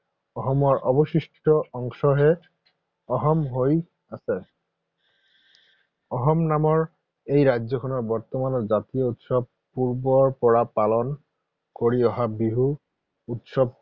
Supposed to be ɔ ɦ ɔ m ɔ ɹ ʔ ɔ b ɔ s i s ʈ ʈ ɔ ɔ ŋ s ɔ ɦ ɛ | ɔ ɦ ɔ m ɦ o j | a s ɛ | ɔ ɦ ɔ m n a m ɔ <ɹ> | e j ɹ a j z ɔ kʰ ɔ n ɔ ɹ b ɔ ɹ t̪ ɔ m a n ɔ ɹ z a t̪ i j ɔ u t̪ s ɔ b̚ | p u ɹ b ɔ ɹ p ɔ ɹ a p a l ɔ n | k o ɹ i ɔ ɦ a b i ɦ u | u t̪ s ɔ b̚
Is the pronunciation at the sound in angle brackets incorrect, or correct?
correct